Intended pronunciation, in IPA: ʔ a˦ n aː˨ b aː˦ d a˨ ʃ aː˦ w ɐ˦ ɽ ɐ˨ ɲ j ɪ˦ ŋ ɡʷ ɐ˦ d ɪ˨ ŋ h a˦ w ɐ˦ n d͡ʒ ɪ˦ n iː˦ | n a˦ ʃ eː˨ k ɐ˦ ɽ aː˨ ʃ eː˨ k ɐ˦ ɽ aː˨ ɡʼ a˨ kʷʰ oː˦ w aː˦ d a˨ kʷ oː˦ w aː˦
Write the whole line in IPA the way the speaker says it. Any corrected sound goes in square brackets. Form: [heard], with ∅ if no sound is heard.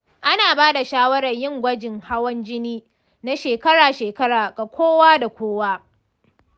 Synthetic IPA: ʔ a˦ n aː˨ b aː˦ d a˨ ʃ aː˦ w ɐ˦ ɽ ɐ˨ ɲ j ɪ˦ ŋ ɡʷ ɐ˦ [d͡ʒ] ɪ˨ ŋ h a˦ w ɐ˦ n d͡ʒ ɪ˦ n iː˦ | n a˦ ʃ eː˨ k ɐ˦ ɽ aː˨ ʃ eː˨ k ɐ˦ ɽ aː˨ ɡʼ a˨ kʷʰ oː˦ w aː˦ d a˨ kʷ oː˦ w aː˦